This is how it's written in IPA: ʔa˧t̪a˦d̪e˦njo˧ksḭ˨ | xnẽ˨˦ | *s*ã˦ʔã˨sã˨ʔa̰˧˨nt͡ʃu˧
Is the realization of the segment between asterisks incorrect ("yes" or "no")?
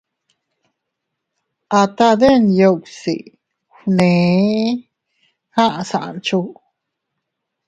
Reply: yes